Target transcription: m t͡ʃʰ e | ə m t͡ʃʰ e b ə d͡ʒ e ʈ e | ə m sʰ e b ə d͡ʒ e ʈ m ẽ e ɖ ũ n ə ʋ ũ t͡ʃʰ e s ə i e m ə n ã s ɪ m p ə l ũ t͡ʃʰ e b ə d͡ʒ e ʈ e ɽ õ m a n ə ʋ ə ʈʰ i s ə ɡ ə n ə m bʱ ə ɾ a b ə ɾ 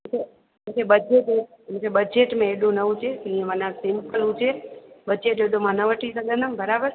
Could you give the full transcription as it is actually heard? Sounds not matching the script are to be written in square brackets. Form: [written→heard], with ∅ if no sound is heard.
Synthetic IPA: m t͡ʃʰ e | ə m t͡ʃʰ e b ə d͡ʒ e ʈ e | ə m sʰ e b ə d͡ʒ e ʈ m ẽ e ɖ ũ n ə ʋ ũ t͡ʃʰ e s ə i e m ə n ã s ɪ m p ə l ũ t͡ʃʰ e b ə d͡ʒ e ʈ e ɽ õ m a n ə ʋ ə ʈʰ i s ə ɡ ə n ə m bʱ ə ɾ a b ə ɾ